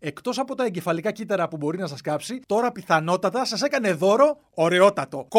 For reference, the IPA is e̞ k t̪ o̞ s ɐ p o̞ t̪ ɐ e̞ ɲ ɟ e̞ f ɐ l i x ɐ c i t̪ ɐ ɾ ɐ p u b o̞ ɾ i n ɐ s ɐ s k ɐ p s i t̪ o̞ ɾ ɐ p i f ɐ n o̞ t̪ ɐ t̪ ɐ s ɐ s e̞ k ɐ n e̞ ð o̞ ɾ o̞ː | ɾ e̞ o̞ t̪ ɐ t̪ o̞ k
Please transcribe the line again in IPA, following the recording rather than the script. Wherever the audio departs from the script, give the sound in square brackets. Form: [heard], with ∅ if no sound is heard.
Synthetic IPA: e̞ k t̪ o̞ s ɐ p o̞ t̪ ɐ e̞ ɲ ɟ e̞ f ɐ l i [k] ɐ c i t̪ ɐ ɾ ɐ p u b o̞ ɾ i n ɐ s ɐ s k ɐ p s i t̪ o̞ ɾ ɐ p i [θ] ɐ n o̞ t̪ ɐ t̪ ɐ s ɐ s e̞ k ɐ n e̞ ð o̞ ɾ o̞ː | ɾ e̞ o̞ t̪ ɐ t̪ o̞ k